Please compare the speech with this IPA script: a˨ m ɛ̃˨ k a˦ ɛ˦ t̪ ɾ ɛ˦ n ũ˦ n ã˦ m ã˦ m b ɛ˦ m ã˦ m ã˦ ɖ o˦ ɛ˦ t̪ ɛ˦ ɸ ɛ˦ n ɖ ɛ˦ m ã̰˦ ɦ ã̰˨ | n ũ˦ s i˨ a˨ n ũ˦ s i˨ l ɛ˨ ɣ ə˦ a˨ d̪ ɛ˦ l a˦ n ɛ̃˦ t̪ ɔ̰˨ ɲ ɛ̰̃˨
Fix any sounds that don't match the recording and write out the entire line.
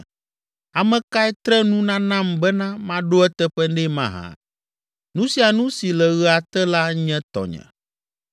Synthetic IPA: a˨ m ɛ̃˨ k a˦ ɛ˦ t̪ ɾ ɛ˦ n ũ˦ n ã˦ n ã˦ m b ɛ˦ n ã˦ m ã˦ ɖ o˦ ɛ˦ t̪ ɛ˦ ɸ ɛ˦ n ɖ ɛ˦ m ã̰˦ ɦ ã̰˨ | n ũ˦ s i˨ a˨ n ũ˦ s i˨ l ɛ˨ ɣ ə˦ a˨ t̪ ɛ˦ l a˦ ɲ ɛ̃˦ t̪ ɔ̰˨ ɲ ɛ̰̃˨